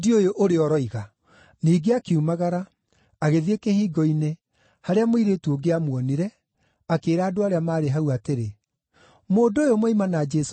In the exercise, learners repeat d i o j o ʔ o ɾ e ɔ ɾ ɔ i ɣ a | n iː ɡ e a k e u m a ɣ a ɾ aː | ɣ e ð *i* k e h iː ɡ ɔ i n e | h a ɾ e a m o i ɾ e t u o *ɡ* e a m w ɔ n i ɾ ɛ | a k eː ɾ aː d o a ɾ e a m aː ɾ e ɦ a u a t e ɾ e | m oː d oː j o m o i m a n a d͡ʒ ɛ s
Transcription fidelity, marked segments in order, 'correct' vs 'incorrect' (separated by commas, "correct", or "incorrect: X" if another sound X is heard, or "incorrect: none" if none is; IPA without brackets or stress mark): incorrect: e, correct